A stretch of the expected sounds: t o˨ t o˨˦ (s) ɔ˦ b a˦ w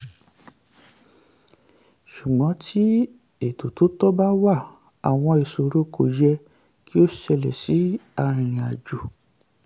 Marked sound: incorrect: t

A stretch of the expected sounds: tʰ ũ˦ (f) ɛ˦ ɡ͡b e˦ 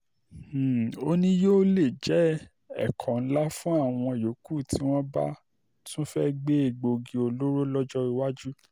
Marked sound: correct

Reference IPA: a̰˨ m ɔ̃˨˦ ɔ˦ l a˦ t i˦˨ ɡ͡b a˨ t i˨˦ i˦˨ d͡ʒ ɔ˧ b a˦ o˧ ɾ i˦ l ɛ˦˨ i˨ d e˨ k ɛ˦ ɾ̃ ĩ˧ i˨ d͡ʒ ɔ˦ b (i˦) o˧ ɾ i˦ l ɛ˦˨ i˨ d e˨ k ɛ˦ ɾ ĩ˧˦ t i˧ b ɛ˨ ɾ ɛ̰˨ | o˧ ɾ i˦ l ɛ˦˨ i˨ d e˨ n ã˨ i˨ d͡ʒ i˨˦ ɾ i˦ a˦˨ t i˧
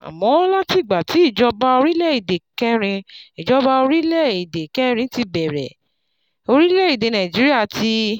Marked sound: incorrect: a˦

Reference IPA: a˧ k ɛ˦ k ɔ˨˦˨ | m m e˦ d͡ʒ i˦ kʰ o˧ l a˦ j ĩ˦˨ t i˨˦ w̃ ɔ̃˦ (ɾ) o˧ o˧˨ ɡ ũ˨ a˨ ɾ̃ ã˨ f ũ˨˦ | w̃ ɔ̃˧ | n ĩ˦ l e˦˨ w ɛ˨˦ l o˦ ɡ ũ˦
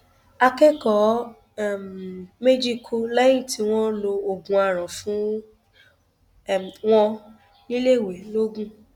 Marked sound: incorrect: l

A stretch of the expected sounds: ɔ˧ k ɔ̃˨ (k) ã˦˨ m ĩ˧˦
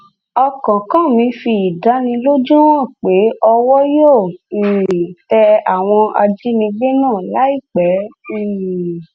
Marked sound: correct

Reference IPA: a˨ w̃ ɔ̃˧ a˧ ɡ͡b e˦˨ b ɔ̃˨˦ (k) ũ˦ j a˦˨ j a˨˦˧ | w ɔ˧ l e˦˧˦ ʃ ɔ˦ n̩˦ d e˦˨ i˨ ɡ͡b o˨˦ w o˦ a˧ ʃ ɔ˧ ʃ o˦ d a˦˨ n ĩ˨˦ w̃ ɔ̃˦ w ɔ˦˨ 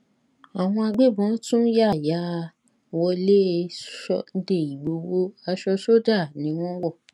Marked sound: incorrect: t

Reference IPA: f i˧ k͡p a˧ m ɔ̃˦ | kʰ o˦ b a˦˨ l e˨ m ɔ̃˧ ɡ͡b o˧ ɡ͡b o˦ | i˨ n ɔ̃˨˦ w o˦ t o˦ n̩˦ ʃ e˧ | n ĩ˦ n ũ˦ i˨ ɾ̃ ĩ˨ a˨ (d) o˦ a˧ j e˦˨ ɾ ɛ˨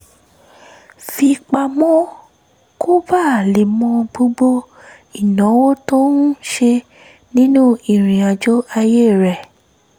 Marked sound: incorrect: d͡ʒ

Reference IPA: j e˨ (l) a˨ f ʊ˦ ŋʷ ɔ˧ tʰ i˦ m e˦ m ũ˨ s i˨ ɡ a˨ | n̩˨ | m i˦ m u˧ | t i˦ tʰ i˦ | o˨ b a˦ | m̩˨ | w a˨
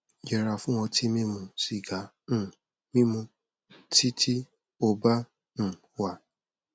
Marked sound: incorrect: ɾ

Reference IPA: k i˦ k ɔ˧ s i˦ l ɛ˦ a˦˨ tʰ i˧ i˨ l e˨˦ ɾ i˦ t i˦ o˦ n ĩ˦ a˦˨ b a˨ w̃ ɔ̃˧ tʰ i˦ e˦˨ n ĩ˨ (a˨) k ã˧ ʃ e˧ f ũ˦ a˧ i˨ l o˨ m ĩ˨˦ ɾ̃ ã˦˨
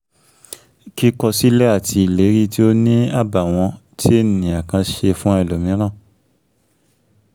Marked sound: correct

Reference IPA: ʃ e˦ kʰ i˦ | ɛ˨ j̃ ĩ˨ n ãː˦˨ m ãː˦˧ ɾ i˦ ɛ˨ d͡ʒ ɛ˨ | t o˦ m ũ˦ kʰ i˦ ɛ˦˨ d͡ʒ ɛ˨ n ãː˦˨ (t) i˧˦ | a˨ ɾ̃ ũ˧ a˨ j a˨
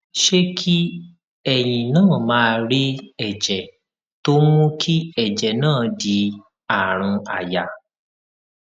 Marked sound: incorrect: d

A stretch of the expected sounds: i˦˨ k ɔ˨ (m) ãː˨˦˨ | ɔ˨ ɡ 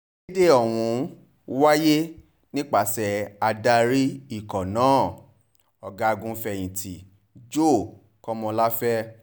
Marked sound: incorrect: n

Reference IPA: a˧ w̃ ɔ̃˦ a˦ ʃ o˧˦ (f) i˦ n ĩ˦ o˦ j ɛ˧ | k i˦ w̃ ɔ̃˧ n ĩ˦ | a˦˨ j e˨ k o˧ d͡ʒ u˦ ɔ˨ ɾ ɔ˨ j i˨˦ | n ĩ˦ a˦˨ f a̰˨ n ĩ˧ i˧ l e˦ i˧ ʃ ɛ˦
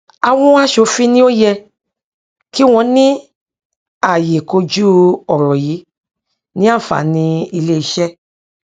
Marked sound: correct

